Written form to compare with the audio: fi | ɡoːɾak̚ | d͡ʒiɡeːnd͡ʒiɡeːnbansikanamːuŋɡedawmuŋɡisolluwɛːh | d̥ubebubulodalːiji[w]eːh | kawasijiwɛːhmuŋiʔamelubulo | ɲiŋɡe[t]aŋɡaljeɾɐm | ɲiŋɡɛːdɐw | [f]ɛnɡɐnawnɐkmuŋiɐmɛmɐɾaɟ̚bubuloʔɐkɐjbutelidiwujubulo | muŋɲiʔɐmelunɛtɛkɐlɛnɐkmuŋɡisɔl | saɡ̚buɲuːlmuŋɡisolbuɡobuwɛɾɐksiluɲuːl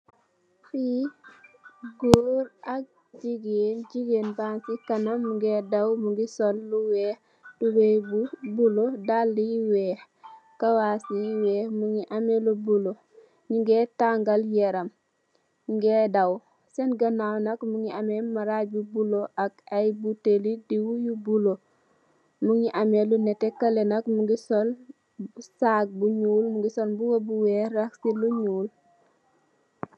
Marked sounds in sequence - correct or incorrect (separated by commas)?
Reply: correct, correct, incorrect